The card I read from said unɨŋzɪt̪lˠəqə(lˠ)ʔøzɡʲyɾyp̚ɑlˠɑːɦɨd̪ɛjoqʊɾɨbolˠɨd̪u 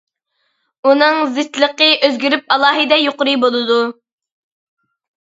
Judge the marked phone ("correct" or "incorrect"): incorrect